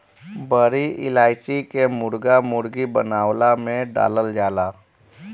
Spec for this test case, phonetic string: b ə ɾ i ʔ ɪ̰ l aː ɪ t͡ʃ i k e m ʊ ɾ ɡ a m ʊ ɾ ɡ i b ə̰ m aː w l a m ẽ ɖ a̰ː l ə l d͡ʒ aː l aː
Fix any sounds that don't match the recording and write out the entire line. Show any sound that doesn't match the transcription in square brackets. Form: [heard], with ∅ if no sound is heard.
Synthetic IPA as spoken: b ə ɾ i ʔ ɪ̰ l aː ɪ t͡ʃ i k e m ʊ ɾ ɡ a m ʊ ɾ ɡ i b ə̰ [n] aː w l a m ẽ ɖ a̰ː l ə l d͡ʒ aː l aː

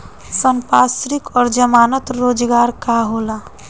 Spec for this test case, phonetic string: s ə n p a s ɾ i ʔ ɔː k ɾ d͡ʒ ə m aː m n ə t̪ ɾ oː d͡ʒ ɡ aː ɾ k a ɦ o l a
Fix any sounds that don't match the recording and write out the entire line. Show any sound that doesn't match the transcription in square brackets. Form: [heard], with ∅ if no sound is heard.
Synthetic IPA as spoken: s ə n p a s ɾ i [k] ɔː [∅] ɾ d͡ʒ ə m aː [∅] n ə t̪ ɾ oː d͡ʒ ɡ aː ɾ k a ɦ o l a

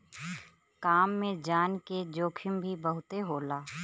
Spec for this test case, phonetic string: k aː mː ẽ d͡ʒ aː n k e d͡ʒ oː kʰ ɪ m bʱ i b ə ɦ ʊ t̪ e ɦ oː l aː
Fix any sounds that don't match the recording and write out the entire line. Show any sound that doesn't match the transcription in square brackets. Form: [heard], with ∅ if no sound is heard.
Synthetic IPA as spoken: k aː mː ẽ d͡ʒ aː n k e d͡ʒ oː kʰ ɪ m bʱ i b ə ɦ ʊ t̪ e ɦ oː l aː

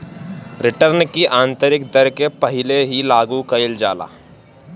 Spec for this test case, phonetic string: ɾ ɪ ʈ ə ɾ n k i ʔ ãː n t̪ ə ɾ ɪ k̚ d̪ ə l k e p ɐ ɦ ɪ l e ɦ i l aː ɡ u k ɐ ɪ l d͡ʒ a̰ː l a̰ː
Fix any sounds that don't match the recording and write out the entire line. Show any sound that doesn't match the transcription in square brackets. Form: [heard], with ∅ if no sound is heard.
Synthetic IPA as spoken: ɾ ɪ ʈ ə ɾ n k i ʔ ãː n t̪ ə ɾ ɪ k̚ d̪ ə [ɾ] k e p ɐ ɦ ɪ l e ɦ i l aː ɡ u k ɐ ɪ l d͡ʒ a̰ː l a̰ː

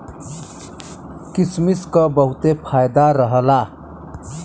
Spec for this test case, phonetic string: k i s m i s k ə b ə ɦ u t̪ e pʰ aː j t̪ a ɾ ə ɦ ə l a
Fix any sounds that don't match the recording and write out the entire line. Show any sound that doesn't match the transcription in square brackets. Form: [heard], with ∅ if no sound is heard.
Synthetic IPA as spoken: k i s m i s k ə b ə ɦ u t̪ e pʰ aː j [d̪] a ɾ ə ɦ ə l a

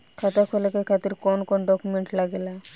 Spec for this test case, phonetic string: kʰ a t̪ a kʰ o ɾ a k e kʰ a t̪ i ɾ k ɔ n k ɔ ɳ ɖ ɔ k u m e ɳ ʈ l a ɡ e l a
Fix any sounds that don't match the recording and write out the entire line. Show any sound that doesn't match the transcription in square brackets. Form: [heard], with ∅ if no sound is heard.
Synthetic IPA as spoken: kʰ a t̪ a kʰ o [l] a k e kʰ a t̪ i ɾ k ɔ n k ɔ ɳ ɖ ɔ k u m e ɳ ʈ l a ɡ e l a

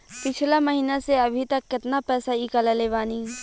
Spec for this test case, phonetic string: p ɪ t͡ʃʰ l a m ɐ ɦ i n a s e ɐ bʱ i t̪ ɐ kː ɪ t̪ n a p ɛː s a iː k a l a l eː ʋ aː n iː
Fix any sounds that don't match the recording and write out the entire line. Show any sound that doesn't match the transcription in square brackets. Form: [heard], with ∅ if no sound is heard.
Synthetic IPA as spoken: p ɪ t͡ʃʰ l a m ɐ ɦ [iː] n a s e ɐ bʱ i t̪ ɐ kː ɪ t̪ n a p ɛː s a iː k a l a l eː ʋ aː n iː

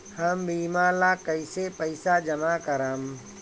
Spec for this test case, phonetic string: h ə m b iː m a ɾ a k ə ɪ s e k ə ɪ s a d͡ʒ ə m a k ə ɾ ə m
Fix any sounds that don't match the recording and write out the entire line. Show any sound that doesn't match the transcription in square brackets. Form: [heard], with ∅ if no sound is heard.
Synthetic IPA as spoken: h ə m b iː m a [l] a k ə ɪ s e [p] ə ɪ s a d͡ʒ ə m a k ə ɾ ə m

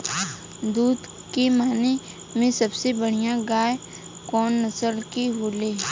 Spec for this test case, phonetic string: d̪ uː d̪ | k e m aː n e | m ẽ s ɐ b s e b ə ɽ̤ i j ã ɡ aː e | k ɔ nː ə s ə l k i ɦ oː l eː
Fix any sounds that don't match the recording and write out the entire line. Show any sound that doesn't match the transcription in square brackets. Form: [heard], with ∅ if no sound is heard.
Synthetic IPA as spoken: d̪ uː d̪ | k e m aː n e | m ẽ s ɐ b s e b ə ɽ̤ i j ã ɡ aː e | k [ɔː] nː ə s ə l k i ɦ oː l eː

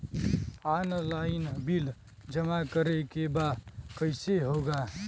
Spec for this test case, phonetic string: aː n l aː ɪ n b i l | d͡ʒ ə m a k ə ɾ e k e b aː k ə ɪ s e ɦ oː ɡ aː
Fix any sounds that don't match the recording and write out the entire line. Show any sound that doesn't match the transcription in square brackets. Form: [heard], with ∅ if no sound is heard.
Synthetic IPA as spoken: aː n l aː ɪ n b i l | d͡ʒ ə m a k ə ɾ e k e b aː k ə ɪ s e ɦ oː ɡ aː

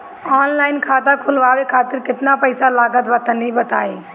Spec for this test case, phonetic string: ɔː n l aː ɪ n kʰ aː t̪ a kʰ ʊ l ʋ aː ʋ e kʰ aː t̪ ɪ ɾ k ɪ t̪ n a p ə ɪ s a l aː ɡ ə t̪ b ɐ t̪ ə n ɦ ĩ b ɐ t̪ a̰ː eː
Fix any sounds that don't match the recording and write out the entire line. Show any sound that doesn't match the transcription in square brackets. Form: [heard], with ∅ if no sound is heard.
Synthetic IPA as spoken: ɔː n l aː ɪ n kʰ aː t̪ a kʰ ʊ l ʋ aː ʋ e kʰ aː t̪ ɪ ɾ k ɪ t̪ n a p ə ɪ s a l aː ɡ ə t̪ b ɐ t̪ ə n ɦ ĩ b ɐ t̪ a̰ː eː

